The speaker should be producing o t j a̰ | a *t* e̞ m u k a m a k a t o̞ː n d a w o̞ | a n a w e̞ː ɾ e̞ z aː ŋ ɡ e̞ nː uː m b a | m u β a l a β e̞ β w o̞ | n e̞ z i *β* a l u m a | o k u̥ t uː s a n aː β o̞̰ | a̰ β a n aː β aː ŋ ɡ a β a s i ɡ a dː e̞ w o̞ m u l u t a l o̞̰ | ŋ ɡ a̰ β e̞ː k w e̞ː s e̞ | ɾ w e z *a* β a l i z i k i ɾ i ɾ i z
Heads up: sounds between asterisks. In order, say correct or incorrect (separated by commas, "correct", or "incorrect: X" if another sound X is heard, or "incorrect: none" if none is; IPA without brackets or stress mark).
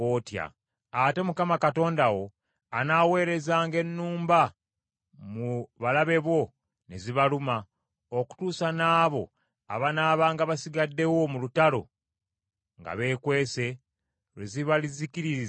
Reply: correct, correct, incorrect: i